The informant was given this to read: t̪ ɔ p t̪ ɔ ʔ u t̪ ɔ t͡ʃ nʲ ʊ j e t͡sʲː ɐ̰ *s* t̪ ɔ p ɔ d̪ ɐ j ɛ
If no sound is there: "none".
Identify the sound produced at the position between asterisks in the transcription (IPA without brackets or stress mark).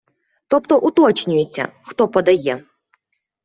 x